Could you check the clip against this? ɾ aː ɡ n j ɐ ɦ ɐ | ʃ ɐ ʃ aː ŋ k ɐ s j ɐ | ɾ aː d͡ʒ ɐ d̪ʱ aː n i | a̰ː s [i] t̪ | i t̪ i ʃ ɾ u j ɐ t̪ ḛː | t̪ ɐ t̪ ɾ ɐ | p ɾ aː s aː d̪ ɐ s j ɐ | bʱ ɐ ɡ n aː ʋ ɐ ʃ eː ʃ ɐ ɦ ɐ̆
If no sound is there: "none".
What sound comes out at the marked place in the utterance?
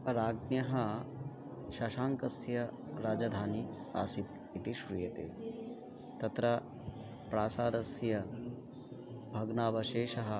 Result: i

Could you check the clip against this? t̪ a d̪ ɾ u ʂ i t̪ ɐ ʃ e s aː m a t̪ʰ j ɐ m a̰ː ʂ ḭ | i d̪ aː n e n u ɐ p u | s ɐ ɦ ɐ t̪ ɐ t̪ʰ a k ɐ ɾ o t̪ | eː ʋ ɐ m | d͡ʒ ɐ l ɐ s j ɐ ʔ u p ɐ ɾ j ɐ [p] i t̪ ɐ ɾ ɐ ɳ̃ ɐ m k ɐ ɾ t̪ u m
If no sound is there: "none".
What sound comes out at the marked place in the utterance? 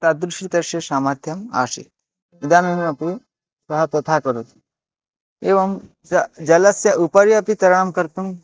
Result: p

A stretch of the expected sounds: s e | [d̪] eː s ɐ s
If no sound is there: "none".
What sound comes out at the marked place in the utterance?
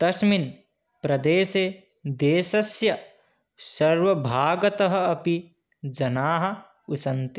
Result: d̪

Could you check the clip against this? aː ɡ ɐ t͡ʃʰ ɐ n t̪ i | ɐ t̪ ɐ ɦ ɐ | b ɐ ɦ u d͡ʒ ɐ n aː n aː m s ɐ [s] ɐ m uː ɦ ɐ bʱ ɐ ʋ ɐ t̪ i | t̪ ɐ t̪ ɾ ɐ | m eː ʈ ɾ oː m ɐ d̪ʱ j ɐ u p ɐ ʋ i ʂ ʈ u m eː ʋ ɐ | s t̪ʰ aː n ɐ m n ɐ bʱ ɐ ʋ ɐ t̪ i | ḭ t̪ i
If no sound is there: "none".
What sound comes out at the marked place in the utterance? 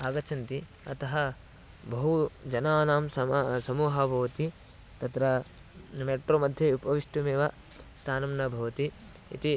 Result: s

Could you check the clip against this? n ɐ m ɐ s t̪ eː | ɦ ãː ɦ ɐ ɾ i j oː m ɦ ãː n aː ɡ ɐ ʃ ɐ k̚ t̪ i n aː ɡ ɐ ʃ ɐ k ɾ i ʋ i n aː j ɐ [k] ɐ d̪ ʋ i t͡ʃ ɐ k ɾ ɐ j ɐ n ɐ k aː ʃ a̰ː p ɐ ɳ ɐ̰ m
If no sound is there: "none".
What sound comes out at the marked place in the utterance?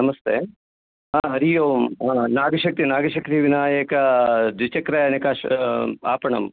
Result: k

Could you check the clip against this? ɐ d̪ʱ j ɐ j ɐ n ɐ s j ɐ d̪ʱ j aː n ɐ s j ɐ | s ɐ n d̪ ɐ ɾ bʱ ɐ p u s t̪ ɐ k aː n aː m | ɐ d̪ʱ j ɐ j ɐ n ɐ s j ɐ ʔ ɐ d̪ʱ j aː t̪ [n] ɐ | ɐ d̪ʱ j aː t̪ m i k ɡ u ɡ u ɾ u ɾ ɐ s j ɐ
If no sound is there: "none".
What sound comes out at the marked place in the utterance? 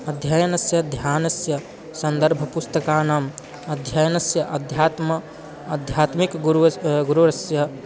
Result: m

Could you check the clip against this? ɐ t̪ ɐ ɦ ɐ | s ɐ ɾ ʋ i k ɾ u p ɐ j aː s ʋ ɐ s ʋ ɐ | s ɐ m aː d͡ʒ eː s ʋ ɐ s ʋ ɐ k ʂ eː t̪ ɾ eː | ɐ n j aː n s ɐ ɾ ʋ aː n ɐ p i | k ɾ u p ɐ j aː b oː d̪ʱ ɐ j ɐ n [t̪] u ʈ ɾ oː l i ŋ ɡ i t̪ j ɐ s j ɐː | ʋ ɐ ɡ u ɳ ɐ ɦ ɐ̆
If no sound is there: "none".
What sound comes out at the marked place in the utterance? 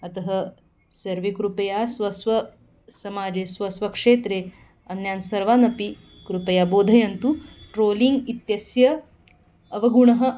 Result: t̪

